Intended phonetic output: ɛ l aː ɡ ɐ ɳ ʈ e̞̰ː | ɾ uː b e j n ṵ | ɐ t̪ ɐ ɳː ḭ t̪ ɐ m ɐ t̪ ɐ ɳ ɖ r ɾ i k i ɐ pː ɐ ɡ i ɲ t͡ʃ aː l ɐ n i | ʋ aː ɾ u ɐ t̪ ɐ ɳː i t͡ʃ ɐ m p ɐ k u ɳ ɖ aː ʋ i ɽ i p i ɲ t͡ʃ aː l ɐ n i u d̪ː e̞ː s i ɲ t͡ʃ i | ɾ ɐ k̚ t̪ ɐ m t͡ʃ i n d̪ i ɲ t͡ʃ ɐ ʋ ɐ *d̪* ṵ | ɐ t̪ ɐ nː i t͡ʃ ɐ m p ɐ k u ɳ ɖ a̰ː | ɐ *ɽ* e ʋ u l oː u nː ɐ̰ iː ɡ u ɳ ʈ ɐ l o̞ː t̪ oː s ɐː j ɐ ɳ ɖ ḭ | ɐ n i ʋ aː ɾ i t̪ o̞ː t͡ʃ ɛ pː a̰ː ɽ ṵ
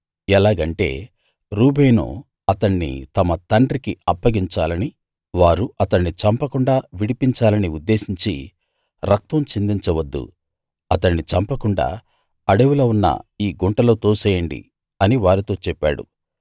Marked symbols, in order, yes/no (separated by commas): no, yes